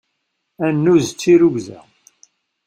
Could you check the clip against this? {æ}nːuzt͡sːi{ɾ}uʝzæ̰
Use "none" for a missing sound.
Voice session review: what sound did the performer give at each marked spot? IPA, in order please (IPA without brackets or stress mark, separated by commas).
æ, ɾ